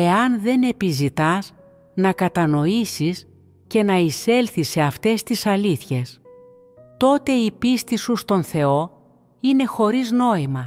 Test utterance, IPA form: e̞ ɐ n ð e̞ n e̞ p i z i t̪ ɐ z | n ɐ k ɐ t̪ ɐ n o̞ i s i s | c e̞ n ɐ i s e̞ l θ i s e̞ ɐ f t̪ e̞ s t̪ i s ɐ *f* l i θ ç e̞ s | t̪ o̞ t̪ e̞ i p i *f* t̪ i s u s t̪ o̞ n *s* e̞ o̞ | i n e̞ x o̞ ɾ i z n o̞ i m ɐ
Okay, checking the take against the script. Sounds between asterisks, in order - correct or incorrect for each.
incorrect, incorrect, incorrect

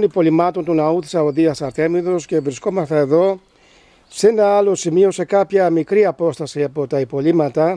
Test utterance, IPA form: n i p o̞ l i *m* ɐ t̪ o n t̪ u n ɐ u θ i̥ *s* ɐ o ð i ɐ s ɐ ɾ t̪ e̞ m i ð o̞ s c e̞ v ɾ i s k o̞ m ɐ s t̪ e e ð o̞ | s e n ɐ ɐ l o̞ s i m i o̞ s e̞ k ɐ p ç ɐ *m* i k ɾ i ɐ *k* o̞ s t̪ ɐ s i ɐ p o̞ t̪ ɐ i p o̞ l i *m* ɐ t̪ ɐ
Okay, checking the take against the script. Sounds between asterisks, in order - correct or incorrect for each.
correct, correct, correct, incorrect, correct

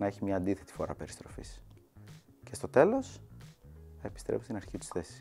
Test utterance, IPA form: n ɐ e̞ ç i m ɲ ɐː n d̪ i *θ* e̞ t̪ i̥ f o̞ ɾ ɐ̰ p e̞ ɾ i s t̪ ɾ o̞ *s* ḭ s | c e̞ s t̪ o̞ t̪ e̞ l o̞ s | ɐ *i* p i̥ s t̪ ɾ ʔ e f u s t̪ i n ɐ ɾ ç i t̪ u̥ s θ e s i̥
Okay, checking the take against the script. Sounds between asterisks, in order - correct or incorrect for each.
correct, incorrect, incorrect

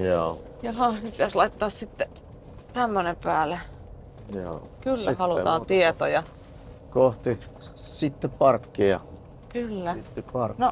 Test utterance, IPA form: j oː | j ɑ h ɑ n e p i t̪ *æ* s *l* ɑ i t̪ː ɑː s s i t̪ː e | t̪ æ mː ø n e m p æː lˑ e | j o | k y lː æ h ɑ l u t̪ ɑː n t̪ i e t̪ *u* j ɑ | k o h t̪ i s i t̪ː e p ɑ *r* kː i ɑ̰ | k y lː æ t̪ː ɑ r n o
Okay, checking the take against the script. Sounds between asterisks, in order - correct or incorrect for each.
correct, correct, incorrect, correct

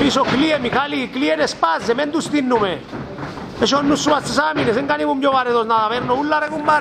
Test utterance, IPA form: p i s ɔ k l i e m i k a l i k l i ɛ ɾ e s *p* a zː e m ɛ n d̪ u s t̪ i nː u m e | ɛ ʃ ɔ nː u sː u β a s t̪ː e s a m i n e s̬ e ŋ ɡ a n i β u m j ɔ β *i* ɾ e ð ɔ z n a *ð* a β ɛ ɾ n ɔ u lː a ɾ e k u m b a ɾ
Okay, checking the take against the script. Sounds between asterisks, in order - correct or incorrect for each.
correct, incorrect, correct

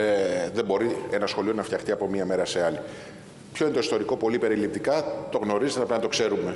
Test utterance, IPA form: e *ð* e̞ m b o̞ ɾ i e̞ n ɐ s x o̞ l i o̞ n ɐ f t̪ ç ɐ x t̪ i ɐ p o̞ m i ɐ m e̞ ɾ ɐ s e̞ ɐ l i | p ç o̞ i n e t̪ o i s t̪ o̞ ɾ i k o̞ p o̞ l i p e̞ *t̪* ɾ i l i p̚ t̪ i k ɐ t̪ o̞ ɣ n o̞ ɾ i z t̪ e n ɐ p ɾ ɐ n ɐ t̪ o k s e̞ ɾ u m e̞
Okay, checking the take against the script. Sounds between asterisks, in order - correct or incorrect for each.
correct, incorrect

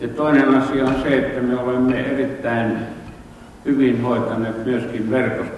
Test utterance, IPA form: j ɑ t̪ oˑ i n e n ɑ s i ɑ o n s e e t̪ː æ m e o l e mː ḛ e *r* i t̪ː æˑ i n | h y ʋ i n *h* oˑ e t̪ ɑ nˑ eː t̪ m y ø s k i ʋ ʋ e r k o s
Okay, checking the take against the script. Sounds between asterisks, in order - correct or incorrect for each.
correct, correct

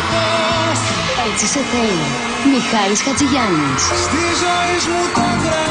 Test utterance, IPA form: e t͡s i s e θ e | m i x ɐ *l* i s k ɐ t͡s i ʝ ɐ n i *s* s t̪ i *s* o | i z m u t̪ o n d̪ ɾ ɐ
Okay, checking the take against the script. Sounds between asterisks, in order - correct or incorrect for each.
incorrect, correct, incorrect

